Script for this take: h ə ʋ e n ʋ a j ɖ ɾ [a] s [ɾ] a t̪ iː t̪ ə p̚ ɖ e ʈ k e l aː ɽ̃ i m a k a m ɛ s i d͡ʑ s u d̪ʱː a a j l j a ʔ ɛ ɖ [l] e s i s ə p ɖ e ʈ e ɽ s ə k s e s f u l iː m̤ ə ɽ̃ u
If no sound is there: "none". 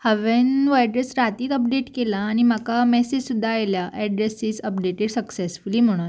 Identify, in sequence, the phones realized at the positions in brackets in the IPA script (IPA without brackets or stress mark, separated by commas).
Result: e, ɾ, ɾ